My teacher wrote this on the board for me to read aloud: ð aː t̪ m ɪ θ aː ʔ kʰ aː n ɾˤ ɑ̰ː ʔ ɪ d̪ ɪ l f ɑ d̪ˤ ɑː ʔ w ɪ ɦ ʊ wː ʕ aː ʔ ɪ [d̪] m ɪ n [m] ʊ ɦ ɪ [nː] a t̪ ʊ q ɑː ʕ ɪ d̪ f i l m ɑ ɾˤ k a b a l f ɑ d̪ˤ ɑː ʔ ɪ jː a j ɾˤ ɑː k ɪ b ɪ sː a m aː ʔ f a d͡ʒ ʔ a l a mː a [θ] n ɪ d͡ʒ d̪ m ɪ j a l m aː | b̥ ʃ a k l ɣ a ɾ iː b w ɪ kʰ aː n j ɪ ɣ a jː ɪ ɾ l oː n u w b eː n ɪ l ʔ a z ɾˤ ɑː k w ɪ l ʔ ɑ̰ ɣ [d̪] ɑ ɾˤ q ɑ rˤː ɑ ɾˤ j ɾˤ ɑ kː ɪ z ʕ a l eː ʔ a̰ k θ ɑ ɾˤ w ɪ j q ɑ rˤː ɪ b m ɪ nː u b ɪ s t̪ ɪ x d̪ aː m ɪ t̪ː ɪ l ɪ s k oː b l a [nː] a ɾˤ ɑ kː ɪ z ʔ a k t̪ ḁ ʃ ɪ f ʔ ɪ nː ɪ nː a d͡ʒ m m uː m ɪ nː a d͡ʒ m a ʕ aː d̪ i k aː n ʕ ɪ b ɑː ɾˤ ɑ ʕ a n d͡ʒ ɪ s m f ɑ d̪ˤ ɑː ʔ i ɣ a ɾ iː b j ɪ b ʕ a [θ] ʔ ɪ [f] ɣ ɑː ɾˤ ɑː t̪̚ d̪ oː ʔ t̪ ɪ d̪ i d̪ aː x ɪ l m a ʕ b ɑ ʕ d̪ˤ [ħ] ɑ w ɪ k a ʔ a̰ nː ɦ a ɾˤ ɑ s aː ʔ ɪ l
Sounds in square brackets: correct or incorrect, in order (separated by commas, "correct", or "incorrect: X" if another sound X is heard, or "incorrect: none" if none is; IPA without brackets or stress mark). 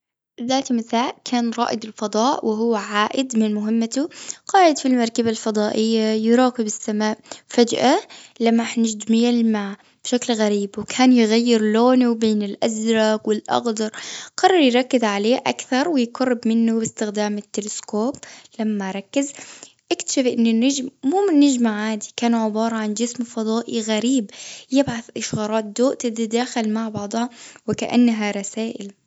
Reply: correct, correct, incorrect: mː, incorrect: ħ, correct, incorrect: mː, correct, incorrect: ʃ, incorrect: h